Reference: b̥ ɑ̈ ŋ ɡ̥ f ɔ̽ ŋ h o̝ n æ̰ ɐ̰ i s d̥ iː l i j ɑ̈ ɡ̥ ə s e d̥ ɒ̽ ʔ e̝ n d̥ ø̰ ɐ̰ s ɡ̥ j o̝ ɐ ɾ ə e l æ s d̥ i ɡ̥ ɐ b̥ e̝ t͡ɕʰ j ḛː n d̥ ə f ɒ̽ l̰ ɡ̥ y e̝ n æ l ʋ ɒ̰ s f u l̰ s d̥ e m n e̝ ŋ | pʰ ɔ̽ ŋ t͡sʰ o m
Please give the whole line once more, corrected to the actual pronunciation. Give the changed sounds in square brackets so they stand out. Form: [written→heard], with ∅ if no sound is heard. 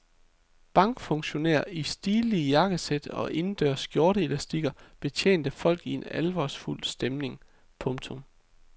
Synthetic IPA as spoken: b̥ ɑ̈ ŋ ɡ̥ f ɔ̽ ŋ [h→ɕ] o̝ n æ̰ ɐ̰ i s d̥ iː l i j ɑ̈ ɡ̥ ə s e d̥ ɒ̽ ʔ e̝ n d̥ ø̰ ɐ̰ s ɡ̥ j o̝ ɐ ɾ ə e l æ s d̥ i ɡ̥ ɐ b̥ e̝ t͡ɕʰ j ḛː n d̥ ə f ɒ̽ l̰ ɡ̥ [y→i] e̝ n æ l ʋ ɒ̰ s f u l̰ s d̥ e m n e̝ ŋ | pʰ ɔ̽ ŋ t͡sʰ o m